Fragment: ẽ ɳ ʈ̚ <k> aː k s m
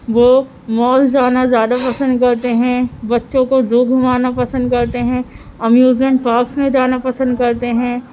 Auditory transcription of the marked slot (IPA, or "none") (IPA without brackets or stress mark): p